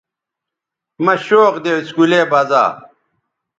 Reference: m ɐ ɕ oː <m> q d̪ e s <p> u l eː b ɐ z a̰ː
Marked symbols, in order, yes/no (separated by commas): no, no